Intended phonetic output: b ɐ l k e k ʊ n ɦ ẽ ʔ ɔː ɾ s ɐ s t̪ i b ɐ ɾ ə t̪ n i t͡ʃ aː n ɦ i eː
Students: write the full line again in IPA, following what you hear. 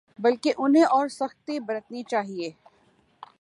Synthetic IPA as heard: b ɐ l k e ʔ ʊ n ɦ ẽ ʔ ɔː ɾ s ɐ x t̪ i b ɐ ɾ ə t̪ n i t͡ʃ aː ɦ i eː

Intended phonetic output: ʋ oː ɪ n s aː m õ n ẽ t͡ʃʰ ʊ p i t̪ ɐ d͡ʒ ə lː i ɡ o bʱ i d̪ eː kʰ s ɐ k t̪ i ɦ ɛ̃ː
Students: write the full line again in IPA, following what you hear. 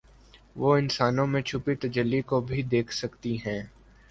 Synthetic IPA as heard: ʋ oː ɪ n s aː n õ m ẽ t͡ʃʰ ʊ p i t̪ ɐ d͡ʒ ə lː i k o bʱ i d̪ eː kʰ s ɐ k t̪ i ɦ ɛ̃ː

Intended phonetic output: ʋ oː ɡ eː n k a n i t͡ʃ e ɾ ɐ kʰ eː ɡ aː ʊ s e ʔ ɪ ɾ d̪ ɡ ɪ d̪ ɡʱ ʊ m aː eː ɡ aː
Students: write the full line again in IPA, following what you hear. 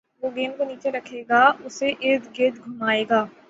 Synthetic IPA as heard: ʋ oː ɡ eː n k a n iː t͡ʃ e ɾ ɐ kʰ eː ɡ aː ʊ s e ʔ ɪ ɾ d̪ ɡ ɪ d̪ ɡʱ ʊ m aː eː ɡ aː

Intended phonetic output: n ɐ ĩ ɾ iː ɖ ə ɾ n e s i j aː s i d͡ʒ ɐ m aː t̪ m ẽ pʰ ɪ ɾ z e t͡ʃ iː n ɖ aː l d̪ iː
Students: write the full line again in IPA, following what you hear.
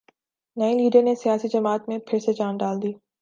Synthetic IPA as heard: n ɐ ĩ l iː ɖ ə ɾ n e s i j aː s i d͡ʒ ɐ m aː t̪ m ẽ pʰ ɪ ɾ s e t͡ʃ aː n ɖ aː l d̪ iː

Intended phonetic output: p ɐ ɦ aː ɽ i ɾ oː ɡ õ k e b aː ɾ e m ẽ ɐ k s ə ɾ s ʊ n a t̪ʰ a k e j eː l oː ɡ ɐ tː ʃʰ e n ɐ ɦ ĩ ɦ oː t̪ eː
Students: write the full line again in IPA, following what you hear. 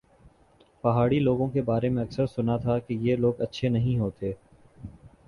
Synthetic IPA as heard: p ɐ ɦ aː ɽ i l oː ɡ õ k e b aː ɾ e m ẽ ɐ k s ə ɾ s ʊ n a t̪ʰ a k e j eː l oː ɡ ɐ tː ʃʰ e n ɐ ɦ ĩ ɦ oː t̪ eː

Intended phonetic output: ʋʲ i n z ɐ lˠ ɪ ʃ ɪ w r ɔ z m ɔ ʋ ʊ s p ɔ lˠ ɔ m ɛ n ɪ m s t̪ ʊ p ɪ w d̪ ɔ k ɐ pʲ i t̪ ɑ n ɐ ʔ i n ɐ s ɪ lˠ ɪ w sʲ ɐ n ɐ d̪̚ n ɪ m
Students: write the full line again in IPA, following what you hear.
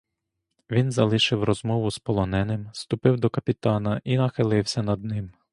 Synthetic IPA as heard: ʋʲ i n z ɐ lˠ ɪ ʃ ɪ w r ɔ z m ɔ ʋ ʊ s p ɔ lˠ ɔ n ɛ n ɪ m s t̪ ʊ p ɪ w d̪ ɔ k ɐ pʲ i t̪ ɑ n ɐ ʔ i n ɐ x ɪ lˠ ɪ w sʲ ɐ n ɐ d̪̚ n ɪ m

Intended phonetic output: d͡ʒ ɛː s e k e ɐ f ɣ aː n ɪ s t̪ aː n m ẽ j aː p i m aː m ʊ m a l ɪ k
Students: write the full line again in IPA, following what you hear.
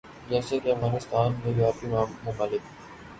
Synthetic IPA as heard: d͡ʒ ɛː s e k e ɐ f ɣ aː n ɪ s t̪ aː n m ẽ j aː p i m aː m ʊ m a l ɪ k

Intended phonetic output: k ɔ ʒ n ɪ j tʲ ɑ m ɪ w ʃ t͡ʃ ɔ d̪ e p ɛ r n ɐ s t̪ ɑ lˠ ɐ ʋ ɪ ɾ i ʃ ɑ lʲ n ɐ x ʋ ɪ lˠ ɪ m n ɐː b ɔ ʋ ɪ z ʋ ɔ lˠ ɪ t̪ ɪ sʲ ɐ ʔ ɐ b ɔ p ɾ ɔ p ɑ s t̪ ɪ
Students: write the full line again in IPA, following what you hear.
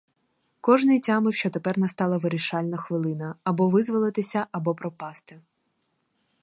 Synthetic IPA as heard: k ɔ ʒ n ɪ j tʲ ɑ m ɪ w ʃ t͡ʃ ɔ t̪ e p ɛ r n ɐ s t̪ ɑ lˠ ɐ ʋ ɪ ɾ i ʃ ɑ lʲ n ɐ x ʋ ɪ lˠ ɪ n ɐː b ɔ ʋ ɪ z ʋ ɔ lˠ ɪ t̪ ɪ sʲ ɐ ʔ ɐ b ɔ p ɾ ɔ p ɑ s t̪ ɪ

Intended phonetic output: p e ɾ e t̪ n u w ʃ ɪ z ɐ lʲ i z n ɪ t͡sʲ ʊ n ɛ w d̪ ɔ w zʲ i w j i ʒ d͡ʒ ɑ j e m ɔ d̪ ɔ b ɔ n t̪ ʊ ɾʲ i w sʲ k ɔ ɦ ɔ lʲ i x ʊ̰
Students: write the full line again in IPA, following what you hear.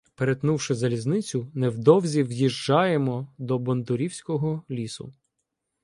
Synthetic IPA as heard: p e ɾ e t̪ n u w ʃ ɪ z ɐ lʲ i z n ɪ t͡sʲ ʊ n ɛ w d̪ ɔ w zʲ i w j i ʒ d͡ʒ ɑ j e m ɔ d̪ ɔ b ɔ n d̪ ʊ ɾʲ i w sʲ k ɔ ɦ ɔ lʲ i s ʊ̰

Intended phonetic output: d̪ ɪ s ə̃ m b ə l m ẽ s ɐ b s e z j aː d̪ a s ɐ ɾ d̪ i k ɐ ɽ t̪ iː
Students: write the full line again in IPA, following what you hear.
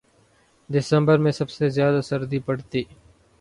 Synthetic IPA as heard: d̪ ɪ s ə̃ m b ə ɾ m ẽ s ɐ b s e z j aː d̪ a s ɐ ɾ d̪ i p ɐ ɽ t̪ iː

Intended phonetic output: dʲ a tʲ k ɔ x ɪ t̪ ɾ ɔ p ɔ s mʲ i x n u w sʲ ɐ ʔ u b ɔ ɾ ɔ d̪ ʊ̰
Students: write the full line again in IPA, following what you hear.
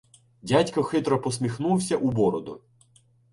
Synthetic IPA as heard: dʲ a tʲ k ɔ x ɪ t̪ ɾ ɔ p ɔ s mʲ i x n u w sʲ ɐ ʔ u b ɔ ɾ ɔ d̪ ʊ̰

